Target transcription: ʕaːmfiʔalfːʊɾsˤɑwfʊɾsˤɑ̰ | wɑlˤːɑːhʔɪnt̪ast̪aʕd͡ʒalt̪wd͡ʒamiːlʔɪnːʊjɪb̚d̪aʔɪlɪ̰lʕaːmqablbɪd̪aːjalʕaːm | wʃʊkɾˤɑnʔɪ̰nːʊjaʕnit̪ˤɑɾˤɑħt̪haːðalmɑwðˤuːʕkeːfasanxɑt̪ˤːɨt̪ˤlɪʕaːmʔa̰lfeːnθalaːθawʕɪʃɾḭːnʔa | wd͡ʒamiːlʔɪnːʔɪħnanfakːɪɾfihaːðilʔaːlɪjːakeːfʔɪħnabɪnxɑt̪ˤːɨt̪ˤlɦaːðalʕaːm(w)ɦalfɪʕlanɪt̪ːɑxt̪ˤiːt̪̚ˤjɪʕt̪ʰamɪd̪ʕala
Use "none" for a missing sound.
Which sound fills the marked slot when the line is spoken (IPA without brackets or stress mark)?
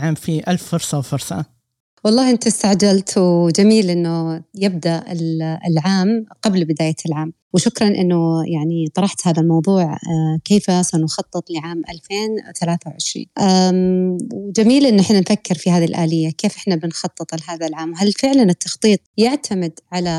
w